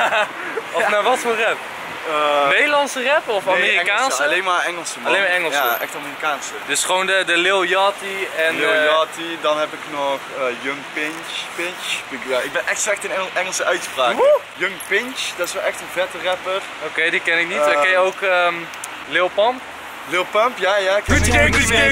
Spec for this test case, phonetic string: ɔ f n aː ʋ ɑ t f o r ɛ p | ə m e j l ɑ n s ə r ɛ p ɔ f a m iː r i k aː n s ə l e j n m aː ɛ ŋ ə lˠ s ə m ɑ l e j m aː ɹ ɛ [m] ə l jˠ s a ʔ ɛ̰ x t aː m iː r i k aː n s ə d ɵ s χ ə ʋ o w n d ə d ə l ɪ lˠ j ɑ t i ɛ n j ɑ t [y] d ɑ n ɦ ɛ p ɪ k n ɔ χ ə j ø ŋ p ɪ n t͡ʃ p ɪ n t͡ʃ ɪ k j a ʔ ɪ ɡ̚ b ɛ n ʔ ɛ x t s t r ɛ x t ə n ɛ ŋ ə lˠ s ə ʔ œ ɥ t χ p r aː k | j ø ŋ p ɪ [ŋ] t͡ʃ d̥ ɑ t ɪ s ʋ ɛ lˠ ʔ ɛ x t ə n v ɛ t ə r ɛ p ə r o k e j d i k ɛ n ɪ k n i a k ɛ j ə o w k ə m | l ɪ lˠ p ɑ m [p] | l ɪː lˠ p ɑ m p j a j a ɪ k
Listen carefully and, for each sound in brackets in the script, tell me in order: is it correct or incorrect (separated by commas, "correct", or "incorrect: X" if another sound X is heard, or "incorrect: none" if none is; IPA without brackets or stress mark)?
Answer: incorrect: ŋ, incorrect: i, incorrect: n, correct